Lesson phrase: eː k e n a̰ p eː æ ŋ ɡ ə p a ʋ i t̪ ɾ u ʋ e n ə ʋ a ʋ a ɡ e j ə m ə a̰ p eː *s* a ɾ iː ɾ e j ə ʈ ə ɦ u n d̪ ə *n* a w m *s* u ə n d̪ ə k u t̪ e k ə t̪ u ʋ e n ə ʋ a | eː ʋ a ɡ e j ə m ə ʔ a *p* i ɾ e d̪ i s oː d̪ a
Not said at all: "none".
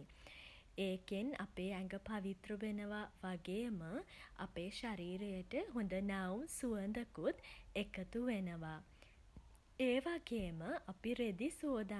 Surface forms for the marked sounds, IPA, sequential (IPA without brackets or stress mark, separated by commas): ʃ, n, s, p